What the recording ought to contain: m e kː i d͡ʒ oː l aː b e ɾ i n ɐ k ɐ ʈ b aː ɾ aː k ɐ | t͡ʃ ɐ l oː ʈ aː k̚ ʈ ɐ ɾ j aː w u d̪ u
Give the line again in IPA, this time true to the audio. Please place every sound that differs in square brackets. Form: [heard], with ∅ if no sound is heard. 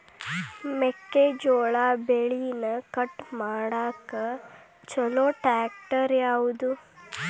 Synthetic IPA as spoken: m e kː [e] d͡ʒ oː [ɭ] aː b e [ɭ] i n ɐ k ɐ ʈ [m] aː [ɽ] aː k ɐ | t͡ʃ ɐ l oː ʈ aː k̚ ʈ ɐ ɾ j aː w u d̪ u